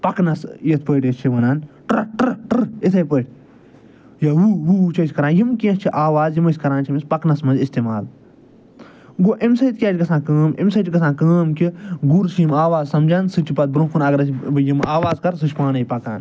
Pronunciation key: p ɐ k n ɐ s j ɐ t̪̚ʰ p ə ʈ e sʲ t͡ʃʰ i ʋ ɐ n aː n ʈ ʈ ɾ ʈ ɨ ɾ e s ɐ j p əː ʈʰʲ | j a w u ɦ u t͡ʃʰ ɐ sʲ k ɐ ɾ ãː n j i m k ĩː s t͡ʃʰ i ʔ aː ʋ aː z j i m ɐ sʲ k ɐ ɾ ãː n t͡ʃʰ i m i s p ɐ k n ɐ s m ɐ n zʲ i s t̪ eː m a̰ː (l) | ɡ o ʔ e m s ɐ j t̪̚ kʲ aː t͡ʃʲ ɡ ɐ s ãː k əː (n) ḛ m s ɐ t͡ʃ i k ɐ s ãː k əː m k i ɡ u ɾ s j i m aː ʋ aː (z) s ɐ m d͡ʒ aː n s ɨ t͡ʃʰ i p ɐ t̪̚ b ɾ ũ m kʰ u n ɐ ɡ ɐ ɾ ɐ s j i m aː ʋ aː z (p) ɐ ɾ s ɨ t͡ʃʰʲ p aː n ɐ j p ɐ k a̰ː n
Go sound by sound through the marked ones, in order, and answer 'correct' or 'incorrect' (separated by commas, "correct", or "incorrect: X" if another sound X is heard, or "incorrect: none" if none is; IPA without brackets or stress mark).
correct, incorrect: m, correct, incorrect: k